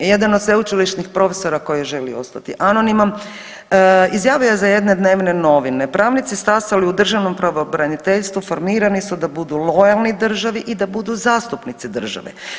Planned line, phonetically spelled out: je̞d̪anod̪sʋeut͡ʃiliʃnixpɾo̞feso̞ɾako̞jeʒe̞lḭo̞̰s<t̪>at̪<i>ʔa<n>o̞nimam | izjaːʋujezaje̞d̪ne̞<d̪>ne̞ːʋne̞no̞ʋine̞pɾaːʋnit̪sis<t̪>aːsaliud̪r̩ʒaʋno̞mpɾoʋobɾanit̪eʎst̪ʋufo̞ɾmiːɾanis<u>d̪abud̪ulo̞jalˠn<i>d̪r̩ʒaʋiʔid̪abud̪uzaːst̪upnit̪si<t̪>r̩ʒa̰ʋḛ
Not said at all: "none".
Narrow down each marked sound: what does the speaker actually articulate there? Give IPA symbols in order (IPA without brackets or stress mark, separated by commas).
t̪, i, n, d̪, t̪, u, i, d̪